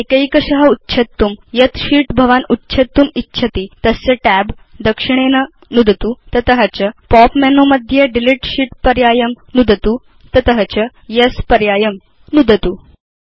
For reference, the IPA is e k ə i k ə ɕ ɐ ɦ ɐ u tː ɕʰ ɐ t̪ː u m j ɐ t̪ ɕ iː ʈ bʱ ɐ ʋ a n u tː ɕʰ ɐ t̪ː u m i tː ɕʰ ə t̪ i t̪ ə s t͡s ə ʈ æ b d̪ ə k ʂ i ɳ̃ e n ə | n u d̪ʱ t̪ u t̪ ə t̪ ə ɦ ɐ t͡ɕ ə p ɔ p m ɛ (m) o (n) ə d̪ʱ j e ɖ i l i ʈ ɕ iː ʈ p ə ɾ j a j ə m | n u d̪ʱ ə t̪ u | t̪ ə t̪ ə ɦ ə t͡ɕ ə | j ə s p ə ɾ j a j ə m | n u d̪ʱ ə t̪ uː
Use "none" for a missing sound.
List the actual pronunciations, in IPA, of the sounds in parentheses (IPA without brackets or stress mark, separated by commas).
n, m